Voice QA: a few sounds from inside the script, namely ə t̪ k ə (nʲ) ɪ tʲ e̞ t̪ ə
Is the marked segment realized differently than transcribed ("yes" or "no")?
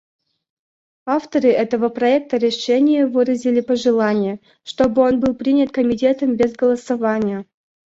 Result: yes